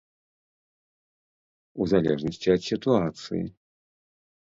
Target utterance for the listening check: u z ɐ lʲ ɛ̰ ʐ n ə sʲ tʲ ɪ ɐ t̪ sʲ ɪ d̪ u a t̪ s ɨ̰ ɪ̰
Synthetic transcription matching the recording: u z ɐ lʲ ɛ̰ ʐ n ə sʲ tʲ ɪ ɐ t̪ sʲ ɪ t̪ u a t̪ s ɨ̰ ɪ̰

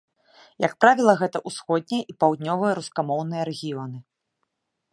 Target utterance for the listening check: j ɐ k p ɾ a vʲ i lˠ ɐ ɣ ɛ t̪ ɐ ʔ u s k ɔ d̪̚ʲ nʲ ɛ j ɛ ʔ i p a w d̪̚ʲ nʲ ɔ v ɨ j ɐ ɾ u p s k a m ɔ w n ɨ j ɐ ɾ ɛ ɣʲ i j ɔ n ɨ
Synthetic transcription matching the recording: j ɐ k p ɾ a vʲ i lˠ ɐ ɣ ɛ t̪ ɐ ʔ u s x ɔ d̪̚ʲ nʲ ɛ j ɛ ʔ i p a w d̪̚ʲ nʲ ɔ v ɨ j ɐ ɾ u s k a m ɔ w n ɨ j ɐ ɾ ɛ ɣʲ i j ɔ n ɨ

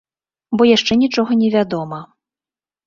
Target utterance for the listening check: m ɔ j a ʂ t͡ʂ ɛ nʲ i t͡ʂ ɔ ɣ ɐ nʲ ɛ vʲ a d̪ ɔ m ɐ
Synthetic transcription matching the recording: b ɔ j a ʂ t͡ʂ ɛ nʲ i t͡ʂ ɔ ɣ ɐ nʲ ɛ vʲ a d̪ ɔ m ɐ

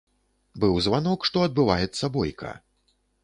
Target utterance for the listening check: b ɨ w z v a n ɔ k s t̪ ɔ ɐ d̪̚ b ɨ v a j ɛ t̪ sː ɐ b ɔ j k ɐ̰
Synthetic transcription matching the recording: b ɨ w z v a n ɔ k ʂ t̪ ɔ ɐ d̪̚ b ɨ v a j ɛ t̪ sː ɐ b ɔ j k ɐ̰

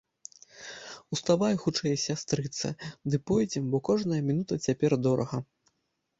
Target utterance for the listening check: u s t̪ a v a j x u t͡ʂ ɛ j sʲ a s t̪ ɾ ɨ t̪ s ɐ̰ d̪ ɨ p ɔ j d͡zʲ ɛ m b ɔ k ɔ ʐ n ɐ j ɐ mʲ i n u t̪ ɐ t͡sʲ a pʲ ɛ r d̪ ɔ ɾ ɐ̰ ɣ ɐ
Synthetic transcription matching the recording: u s t̪ a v a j x u t͡ʂ ɛ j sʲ a s t̪ ɾ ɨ t̪ s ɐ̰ d̪ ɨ p ɔ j d͡zʲ ɛ m b ɔ k ɔ ʐ n ɐ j ɐ mʲ i n u t̪ ɐ t͡sʲ a pʲ ɛ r d̪ ɔ ɾ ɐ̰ ɣ ɐ

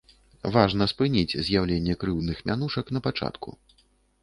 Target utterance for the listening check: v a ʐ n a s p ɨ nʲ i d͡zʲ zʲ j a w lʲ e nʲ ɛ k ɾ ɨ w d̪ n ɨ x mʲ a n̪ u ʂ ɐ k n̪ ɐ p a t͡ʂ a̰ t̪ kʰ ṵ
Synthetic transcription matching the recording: v a ʐ n ɐ s p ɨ nʲ i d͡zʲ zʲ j a w lʲ e nʲː ɛ k ɾ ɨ w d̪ n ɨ x mʲ a n̪ u ʂ ɐ k n̪ ɐ p a t͡ʂ a̰ t̪ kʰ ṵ

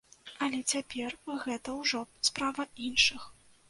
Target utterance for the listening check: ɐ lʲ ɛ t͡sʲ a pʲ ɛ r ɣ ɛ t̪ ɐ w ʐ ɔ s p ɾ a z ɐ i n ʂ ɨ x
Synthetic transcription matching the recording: ɐ lʲ ɛ t͡sʲ a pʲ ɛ r ɣ ɛ t̪ ɐ w ʐ ɔ s p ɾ a v ɐ i n ʂ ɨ x

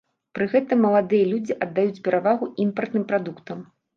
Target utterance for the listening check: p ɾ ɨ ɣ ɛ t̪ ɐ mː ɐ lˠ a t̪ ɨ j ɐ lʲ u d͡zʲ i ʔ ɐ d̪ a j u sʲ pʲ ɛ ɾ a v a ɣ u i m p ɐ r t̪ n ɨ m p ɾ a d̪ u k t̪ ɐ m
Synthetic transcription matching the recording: p ɾ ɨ ɣ ɛ t̪ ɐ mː ɐ lˠ a d̪ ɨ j ɐ lʲ u d͡zʲ i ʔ ɐ d̪ː a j u t͡sʲ pʲ ɛ ɾ a v a ɣ u i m p ɐ r t̪ n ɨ m p ɾ a d̪ u k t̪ ɐ m

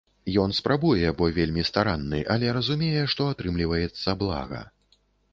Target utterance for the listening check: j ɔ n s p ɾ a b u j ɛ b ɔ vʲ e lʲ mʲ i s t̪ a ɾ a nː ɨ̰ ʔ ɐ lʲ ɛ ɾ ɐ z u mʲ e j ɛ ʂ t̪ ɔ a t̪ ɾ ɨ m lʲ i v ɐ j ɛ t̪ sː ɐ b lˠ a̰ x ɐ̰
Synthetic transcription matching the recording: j ɔ n s p ɾ a b u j ɛ b ɔ vʲ e lʲ mʲ i s t̪ a ɾ a nː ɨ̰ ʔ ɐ lʲ ɛ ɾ ɐ z u mʲ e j ɛ ʂ t̪ ɔ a t̪ ɾ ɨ m lʲ i v ɐ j ɛ t̪ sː ɐ b lˠ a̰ ɣ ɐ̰

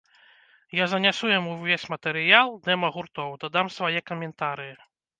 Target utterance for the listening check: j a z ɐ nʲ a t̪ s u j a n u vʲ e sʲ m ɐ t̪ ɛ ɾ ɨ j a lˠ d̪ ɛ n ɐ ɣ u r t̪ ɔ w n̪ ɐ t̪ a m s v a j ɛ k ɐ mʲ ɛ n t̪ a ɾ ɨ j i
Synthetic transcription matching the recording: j a z ɐ nʲ a s u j a m u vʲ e sʲ m ɐ t̪ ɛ ɾ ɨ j a lˠ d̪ ɛ m ɐ ɣ u r t̪ ɔ w d̪ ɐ d̪ a m s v a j ɛ k ɐ mʲ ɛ n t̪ a ɾ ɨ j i

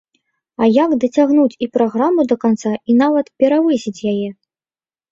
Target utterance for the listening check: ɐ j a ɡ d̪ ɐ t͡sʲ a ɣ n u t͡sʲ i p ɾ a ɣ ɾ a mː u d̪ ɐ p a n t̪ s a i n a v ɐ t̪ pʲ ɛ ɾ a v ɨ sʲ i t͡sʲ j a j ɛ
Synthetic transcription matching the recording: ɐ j a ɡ d̪ ɐ t͡sʲ a ɣ n u t͡sʲ i p ɾ a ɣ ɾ a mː u d̪ ɐ k a n t̪ s a i n a v ɐ t̪ pʲ ɛ ɾ a v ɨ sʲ i t͡sʲ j a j ɛ

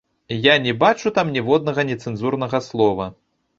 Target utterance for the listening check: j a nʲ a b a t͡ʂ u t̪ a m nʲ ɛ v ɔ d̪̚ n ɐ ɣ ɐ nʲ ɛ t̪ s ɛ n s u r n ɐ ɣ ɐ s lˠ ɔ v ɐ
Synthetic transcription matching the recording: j a nʲ ɛ b a t͡ʂ u t̪ a m nʲ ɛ v ɔ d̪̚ n ɐ ɣ ɐ nʲ ɛ t̪ s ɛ n z u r n ɐ ɣ ɐ s lˠ ɔ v ɐ

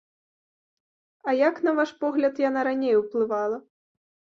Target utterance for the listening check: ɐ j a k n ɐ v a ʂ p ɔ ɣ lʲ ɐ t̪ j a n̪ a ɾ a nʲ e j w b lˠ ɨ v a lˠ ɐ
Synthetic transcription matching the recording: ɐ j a k n ɐ v a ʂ p ɔ ɣ lʲ ɐ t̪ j a n̪ a ɾ a nʲ e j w p lˠ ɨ v a lˠ ɐ

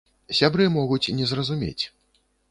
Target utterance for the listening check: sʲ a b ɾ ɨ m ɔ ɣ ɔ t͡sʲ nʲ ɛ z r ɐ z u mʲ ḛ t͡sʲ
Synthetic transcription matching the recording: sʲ a b ɾ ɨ m ɔ ɣ u t͡sʲ nʲ ɛ z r ɐ z u mʲ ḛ t͡sʲ

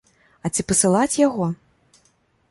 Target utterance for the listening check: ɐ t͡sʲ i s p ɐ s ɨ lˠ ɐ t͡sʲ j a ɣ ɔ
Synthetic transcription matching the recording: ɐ t͡sʲ i p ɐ s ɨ lˠ a t͡sʲ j a ɣ ɔ

